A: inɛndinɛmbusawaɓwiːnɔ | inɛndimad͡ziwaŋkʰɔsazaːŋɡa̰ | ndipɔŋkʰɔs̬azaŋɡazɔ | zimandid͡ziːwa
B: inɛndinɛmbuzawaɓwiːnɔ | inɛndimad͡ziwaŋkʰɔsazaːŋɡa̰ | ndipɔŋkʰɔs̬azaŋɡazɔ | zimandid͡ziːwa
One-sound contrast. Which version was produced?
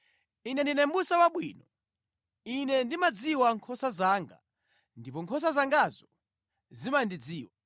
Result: A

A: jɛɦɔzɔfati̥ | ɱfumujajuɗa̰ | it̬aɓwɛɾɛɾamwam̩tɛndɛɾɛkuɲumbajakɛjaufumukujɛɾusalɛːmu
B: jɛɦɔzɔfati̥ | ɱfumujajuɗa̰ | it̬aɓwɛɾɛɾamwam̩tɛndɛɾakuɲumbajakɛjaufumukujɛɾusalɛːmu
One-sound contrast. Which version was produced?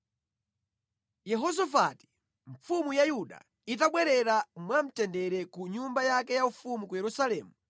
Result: A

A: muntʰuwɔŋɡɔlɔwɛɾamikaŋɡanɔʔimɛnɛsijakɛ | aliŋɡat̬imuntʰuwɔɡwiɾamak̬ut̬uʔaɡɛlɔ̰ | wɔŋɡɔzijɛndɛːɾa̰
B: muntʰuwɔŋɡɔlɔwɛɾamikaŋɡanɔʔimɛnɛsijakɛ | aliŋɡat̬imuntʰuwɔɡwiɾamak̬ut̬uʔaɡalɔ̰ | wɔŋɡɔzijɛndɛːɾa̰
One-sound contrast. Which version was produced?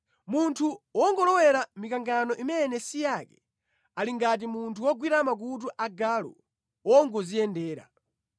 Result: B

